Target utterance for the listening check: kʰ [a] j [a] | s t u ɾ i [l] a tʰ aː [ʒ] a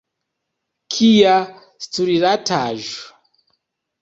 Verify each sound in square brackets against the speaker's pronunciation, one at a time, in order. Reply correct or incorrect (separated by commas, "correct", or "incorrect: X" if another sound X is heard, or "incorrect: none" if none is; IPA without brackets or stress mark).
incorrect: i, correct, incorrect: ɾ, correct